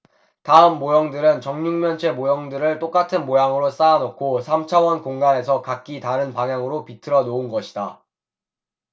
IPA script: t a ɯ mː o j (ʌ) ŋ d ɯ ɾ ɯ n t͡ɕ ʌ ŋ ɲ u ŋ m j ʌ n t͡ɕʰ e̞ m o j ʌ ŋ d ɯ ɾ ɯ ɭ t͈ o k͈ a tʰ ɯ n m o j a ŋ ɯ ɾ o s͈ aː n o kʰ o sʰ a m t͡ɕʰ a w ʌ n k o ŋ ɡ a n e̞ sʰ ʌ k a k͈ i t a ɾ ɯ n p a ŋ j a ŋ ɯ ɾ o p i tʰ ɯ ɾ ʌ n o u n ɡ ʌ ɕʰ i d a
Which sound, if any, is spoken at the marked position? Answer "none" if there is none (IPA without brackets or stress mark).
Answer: ʌ